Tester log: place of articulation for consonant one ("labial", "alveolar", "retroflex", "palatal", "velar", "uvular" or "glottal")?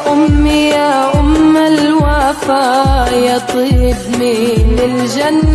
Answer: glottal